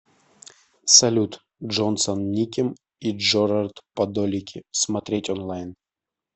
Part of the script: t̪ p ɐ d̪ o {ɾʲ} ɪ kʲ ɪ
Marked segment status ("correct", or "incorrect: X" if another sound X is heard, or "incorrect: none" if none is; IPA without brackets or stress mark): incorrect: lʲ